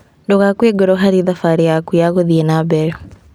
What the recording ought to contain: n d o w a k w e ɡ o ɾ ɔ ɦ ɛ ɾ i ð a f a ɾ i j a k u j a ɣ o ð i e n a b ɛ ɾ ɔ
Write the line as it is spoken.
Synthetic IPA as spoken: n d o ɣ a k w e ɡ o ɾ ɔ ɦ a ɾ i ð a f a ɾ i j a k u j a ɣ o ð i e n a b ɛ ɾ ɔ